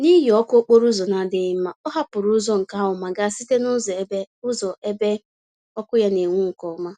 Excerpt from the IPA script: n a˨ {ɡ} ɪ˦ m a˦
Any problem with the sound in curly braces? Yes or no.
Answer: yes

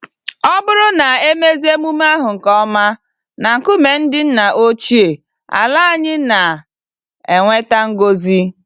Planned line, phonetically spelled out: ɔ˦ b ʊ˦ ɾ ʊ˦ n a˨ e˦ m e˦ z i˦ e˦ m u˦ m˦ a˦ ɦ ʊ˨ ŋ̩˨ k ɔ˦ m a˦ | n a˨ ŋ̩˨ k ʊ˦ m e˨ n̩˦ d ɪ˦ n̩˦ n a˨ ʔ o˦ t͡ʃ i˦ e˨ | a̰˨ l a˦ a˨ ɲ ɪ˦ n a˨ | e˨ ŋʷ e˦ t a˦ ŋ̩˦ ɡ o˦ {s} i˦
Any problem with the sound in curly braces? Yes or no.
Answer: yes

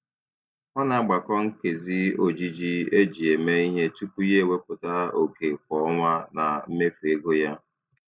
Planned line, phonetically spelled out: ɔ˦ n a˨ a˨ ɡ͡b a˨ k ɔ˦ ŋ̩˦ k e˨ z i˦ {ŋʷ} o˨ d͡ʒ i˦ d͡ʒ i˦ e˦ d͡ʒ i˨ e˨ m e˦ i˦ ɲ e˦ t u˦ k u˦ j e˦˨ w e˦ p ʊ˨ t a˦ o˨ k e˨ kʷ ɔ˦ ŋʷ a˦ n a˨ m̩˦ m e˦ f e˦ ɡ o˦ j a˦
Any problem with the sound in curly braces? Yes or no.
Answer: yes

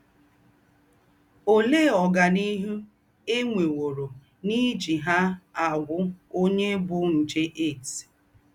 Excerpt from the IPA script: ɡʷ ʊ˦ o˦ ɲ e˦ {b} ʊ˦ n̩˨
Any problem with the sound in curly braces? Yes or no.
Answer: no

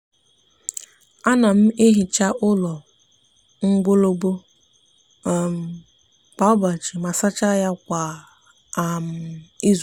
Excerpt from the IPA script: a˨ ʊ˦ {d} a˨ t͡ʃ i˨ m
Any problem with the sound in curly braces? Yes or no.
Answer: yes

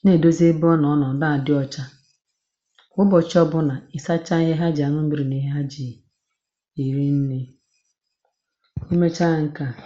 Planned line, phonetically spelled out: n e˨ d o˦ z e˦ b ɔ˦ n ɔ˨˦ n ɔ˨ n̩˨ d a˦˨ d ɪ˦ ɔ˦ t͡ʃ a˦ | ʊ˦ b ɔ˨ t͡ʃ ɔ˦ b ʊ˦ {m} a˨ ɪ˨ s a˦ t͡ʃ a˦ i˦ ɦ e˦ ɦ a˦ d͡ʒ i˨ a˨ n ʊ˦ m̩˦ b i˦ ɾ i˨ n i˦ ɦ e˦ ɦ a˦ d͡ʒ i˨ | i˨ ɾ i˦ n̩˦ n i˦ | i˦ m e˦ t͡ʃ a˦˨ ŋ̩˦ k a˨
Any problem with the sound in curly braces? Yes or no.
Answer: yes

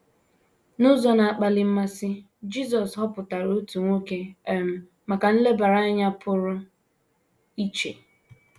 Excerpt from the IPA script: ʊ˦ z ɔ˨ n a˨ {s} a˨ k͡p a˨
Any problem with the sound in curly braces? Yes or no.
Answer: yes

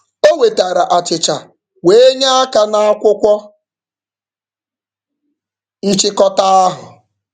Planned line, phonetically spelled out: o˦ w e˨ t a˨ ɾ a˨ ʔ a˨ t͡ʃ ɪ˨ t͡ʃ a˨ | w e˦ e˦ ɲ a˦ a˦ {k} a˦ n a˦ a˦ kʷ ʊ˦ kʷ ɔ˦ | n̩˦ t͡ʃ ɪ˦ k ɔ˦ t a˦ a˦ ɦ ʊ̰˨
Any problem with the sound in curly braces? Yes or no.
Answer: no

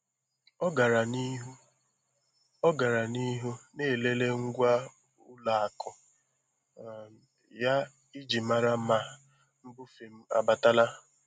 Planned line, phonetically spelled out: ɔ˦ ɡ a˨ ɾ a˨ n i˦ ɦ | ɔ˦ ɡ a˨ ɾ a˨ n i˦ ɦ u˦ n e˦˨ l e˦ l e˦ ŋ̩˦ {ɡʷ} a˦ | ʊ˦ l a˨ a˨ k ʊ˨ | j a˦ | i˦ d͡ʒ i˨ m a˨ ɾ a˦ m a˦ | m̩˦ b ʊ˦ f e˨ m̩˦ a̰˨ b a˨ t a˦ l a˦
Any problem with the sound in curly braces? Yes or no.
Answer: no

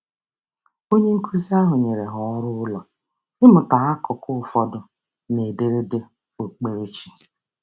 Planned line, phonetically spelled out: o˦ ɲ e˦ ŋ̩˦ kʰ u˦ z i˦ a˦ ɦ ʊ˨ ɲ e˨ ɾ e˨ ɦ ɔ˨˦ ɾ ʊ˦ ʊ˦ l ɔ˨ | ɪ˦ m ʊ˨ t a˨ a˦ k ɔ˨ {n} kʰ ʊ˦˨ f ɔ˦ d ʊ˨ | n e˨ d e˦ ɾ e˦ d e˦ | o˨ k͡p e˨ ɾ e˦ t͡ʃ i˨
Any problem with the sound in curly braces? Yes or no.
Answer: yes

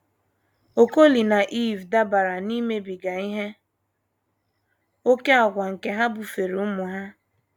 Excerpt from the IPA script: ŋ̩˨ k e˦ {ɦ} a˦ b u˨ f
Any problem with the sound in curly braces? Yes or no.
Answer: no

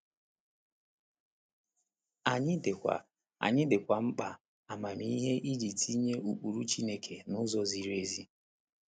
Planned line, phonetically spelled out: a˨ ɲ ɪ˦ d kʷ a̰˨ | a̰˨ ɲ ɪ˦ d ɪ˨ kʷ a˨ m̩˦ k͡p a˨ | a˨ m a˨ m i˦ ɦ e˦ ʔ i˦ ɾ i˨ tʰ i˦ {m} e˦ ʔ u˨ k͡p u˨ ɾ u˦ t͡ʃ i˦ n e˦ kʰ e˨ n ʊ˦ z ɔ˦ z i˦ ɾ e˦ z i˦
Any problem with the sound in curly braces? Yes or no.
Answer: yes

